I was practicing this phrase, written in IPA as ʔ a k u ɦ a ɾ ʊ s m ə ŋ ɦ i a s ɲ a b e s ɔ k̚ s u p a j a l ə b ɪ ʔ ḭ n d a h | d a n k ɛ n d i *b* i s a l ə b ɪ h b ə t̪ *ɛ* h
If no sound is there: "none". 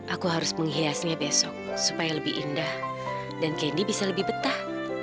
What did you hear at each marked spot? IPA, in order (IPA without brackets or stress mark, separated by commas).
b, a